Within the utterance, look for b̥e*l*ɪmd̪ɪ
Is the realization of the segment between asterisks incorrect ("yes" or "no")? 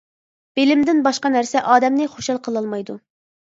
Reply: no